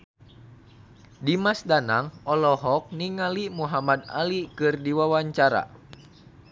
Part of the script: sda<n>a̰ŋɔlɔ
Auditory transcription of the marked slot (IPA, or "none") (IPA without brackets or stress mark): n